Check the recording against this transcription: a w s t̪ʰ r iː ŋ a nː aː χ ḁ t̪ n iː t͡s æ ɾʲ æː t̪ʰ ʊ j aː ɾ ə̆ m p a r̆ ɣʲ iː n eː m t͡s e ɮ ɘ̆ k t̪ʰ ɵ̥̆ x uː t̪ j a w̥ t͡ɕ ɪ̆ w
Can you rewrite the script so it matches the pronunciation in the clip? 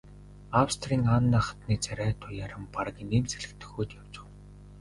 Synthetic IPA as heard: a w s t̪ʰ r iː ŋ a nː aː χ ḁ t̪ n iː t͡s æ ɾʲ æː t̪ʰ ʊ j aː ɾ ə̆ m p a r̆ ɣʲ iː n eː m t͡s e ɮ ɘ̆ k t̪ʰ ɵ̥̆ x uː t̪ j a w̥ t͡ɕ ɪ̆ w